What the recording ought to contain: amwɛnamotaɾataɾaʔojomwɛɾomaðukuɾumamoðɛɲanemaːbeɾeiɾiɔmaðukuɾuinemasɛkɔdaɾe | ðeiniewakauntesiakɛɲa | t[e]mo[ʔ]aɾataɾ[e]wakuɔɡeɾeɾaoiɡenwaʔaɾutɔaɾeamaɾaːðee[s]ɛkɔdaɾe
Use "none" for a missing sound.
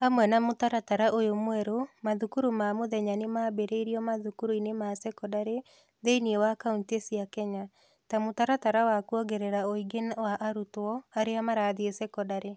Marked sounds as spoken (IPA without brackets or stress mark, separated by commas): a, t, a, s